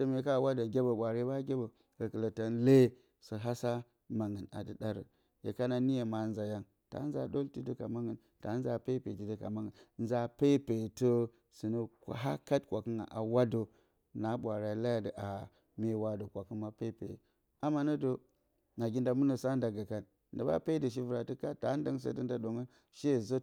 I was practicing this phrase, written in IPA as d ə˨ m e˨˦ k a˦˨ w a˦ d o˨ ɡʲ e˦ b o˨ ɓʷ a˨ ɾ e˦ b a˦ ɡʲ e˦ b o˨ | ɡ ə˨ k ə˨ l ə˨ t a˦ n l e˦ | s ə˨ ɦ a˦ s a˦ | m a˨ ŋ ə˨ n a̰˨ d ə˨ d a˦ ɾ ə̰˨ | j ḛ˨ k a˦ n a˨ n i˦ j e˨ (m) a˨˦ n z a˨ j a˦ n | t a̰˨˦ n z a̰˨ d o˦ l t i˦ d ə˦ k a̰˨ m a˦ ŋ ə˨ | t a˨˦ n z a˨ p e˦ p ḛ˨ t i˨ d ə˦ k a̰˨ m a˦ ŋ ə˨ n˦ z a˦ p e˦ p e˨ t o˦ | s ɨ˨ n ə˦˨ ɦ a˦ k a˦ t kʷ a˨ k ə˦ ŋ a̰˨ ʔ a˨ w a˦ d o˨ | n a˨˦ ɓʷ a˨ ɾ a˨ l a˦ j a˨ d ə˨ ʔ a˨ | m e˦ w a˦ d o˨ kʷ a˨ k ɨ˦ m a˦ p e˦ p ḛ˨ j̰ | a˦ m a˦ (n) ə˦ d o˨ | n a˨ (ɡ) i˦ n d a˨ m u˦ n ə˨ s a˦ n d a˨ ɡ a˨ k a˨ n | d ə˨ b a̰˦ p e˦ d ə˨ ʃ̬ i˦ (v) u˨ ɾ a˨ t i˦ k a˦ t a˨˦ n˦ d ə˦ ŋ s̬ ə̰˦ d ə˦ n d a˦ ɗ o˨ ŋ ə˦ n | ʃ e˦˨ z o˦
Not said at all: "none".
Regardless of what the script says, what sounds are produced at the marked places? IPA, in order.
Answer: m, n, ɡ, v

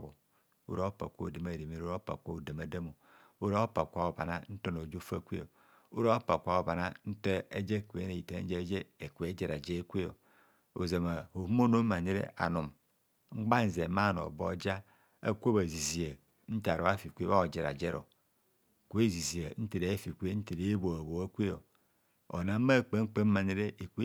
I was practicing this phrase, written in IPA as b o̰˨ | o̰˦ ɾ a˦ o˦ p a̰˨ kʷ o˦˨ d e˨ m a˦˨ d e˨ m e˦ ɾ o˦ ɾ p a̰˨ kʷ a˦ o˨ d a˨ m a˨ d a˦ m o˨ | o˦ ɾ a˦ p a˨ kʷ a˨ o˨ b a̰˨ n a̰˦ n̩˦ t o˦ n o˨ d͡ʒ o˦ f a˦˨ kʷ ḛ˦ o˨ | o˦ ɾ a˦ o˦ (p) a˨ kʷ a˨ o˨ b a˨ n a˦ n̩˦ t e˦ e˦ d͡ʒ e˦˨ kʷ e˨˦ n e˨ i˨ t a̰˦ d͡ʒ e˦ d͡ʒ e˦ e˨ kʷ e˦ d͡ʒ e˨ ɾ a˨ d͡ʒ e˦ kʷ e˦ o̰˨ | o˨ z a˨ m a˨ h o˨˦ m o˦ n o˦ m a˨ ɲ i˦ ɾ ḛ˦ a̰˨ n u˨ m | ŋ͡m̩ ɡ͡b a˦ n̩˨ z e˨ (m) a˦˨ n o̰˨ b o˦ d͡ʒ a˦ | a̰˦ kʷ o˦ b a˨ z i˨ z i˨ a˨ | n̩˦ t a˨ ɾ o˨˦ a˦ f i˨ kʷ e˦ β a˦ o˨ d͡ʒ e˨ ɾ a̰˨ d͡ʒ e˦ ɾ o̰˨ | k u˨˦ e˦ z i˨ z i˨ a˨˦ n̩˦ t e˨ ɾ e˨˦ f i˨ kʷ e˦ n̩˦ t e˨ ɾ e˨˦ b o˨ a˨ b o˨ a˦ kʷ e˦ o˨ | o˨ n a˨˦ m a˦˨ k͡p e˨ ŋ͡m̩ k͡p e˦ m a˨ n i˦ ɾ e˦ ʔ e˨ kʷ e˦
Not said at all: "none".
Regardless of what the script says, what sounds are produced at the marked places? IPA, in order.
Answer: p, m

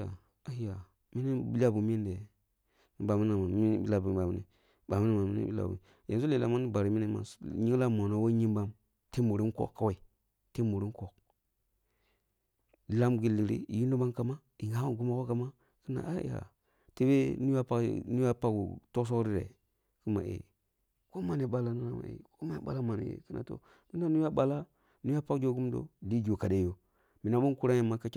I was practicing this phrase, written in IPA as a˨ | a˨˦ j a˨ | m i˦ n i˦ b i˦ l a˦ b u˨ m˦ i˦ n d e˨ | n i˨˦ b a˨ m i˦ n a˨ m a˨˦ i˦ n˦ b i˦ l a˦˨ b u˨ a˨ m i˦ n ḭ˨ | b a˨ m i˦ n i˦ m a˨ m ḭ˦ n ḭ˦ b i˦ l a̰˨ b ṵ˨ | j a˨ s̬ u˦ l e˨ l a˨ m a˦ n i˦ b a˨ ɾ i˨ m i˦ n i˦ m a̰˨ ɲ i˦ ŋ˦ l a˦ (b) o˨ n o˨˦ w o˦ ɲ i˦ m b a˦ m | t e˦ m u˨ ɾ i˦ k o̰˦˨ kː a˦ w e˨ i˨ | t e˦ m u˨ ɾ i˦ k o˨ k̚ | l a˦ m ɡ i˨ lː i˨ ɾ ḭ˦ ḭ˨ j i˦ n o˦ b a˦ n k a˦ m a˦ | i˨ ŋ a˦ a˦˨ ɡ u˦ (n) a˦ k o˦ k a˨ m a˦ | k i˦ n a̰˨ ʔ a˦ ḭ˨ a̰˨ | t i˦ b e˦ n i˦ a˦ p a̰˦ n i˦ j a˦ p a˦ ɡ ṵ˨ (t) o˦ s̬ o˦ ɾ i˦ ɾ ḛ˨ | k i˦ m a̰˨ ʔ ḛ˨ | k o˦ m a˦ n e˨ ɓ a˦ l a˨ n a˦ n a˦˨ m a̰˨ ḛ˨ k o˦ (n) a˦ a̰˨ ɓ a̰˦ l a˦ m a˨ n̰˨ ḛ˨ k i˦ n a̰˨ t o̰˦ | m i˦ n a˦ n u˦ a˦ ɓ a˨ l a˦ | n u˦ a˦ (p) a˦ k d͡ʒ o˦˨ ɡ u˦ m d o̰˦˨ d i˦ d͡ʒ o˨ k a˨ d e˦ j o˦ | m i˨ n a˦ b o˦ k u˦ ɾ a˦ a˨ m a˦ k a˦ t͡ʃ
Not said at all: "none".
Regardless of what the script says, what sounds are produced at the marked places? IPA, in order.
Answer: m, m, t, m, p

